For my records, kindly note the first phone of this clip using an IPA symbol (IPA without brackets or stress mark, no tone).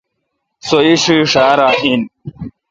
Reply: s